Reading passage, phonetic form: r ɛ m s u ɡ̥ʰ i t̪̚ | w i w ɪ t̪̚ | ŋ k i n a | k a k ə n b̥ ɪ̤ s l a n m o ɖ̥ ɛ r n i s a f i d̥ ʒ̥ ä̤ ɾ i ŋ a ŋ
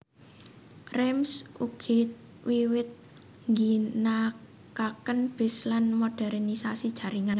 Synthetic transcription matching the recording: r ɛ m s u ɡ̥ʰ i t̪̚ | w i w ɪ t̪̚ | ŋ ɡ i n a | k a k ə n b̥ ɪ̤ s l a n m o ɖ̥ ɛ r n i s a s i d̥ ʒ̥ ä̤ ɾ i ŋ a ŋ

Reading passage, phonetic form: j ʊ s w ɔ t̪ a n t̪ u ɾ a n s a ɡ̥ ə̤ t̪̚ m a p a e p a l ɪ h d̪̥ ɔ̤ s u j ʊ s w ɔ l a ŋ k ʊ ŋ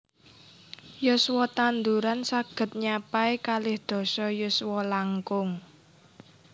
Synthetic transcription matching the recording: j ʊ s w ɔ t̪ a n d̪ u ɾ a n s a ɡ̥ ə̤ t̪̚ ɲ a p a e k a l ɪ h d̪̥ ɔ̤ s ɔ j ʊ s w ɔ l a ŋ k ʊ ŋ

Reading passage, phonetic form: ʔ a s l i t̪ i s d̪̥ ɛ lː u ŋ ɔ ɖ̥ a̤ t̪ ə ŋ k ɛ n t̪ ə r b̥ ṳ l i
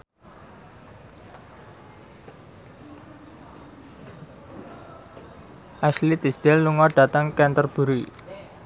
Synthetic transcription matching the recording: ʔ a s l i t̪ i s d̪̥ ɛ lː u ŋ ɔ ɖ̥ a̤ t̪ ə ŋ k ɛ n t̪ ə r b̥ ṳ ɾ i

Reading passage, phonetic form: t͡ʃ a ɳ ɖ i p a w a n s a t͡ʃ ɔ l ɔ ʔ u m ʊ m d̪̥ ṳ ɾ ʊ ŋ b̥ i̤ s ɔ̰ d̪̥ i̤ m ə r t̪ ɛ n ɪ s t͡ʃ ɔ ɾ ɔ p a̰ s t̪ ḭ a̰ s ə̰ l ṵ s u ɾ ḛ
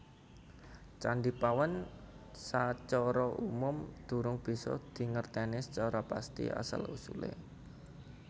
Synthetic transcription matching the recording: t͡ʃ a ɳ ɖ i p a w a n s a t͡ʃ ɔ ɾ ɔ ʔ u m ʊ m d̪̥ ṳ ɾ ʊ ŋ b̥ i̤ s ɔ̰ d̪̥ i̤ ŋ ə r t̪ ɛ n ɪ s t͡ʃ ɔ ɾ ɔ p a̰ s t̪ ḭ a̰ s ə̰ l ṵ s u l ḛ

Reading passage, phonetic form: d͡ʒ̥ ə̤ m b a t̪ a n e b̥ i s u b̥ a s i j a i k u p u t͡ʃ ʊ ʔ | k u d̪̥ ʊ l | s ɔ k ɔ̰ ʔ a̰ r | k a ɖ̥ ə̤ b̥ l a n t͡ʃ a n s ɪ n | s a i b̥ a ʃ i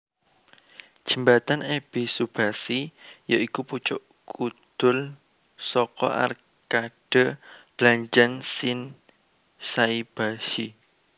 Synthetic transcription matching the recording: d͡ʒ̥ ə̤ m b a t̪ a n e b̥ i s u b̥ a s i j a i k u p u t͡ʃ ʊ ʔ | k u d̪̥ ʊ l | s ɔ k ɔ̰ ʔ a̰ r | k a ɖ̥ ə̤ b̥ l a ɲ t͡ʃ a n s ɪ n | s a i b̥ a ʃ i

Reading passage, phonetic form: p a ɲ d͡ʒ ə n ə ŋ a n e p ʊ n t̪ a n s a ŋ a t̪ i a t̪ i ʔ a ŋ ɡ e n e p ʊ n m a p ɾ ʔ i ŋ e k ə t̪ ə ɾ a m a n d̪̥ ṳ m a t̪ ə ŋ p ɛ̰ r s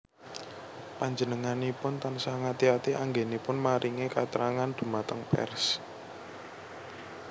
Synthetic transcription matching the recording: p a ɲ d͡ʒ ə n ə ŋ a n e p ʊ n t̪ a n s a ŋ a t̪ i a t̪ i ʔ a ŋ ɡ e n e p ʊ n m a ɾ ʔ i ŋ e k a t̪ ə ɾ a ŋ a n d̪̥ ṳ m a t̪ ə ŋ p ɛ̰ r s

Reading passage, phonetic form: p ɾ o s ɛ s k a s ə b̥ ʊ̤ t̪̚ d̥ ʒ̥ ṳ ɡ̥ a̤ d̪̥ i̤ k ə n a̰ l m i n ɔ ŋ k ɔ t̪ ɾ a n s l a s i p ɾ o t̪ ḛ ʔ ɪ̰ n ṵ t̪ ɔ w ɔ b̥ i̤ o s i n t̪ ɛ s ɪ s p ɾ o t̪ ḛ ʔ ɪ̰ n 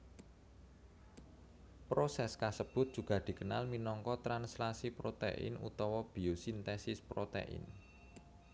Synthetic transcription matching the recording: p ɾ o s ɛ s k a s ə b̥ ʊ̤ t̪̚ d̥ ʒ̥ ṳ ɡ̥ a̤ d̪̥ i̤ k ə n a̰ l m i n ɔ ŋ k ɔ t̪ ɾ a n s l a s i p ɾ o t̪ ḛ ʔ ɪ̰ n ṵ t̪ ɔ w ɔ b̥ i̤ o s i n t̪ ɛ s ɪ s p ɾ o t̪ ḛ ʔ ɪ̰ n

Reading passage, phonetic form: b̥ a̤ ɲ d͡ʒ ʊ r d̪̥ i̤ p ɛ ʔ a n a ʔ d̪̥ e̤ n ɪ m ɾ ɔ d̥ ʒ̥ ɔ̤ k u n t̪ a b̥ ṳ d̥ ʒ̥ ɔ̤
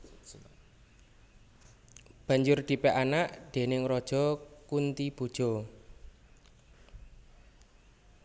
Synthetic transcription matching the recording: b̥ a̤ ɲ d͡ʒ ʊ r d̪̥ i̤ p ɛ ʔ a n a ʔ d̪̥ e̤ n ɪ ŋ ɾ ɔ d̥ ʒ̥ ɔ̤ k u n t̪ i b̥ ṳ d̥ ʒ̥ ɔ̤

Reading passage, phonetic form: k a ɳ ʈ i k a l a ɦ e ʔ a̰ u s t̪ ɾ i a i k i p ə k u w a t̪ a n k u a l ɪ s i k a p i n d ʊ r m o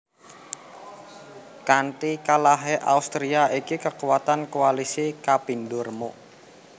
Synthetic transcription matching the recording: k a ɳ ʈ i k a l a ɦ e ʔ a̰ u s t̪ ɾ i a i k i k ə k u w a t̪ a n k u a l i s i k a p i n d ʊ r m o

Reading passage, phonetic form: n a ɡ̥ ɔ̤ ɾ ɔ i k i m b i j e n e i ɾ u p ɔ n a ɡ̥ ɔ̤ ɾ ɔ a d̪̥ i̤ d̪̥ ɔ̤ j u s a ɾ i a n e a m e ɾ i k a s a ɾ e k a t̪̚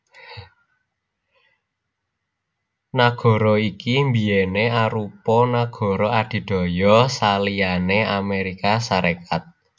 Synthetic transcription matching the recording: n a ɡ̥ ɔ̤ ɾ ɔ i k i m b i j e n e a ɾ u p ɔ n a ɡ̥ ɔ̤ ɾ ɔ a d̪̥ i̤ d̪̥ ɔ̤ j ɔ s a l i a n e a m e ɾ i k a s a ɾ e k a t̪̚

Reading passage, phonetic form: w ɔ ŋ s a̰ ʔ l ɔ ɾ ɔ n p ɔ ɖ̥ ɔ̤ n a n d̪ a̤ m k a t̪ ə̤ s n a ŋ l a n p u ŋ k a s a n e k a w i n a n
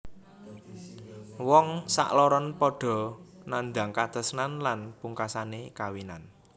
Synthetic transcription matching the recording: w ɔ ŋ s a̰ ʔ l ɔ ɾ ɔ n p ɔ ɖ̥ ɔ̤ n a n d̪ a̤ ŋ k a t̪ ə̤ s n a n l a n p u ŋ k a s a n e k a w i n a n

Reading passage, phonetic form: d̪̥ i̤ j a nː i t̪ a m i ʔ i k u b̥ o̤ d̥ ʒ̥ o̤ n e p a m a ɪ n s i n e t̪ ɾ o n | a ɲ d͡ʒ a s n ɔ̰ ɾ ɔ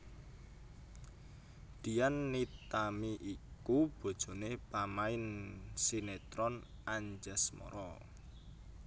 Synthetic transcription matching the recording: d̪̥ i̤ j a nː i t̪ a m i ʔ i k u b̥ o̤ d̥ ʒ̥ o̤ n e p a m a ɪ n s i n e t̪ ɾ ɔ n | a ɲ d͡ʒ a s m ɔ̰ ɾ ɔ

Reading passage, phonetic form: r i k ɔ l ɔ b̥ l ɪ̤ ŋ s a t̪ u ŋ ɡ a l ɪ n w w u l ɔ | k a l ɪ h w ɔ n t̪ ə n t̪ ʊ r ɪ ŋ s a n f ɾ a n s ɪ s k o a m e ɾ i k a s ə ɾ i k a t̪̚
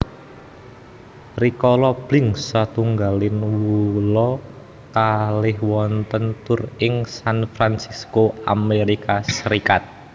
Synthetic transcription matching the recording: r i k ɔ l ɔ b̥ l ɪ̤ ŋ s a t̪ u ŋ ɡ a l ɪ n w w u l ɔ | k a l ɪ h w ɔ n t̪ ə n t̪ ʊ r ɪ ŋ s a n f ɾ a n s i s k o a m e ɾ i k a s ə ɾ i k a t̪̚

